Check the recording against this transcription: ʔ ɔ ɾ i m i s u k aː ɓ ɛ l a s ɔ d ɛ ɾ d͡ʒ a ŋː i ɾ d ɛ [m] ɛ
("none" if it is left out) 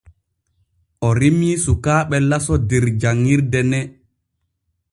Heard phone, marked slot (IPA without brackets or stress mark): n